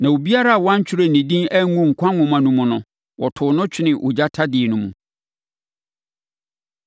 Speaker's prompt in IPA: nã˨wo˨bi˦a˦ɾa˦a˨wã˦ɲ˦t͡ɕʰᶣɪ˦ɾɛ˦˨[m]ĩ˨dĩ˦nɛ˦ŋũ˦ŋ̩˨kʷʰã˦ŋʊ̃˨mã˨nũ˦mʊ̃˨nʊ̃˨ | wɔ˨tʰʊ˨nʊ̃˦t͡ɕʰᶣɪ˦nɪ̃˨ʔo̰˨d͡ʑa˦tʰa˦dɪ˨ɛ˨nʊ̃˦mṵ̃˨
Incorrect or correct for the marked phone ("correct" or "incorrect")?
incorrect